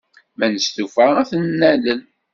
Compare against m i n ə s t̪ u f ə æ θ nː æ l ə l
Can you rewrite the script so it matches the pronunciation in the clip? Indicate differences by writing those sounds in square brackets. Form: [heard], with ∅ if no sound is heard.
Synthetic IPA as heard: m [æ] n ə s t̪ u f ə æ θ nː æ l ə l

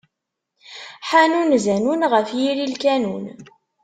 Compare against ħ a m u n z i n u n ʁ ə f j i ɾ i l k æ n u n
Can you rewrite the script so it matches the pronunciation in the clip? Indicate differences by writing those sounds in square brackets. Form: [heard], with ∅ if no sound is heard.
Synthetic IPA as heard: ħ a [n] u n z [æ] n u n ʁ ə f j i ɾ i l k æ n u n

